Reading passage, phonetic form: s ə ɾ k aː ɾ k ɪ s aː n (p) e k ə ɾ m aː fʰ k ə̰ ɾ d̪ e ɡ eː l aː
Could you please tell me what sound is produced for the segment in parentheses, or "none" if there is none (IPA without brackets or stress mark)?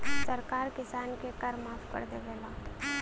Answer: k